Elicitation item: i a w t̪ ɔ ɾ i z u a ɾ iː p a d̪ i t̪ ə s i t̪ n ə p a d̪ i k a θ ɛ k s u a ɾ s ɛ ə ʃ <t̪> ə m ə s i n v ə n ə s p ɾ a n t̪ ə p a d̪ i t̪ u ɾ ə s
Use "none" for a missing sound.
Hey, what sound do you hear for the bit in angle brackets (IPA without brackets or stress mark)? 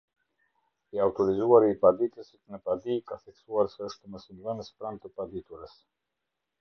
t̪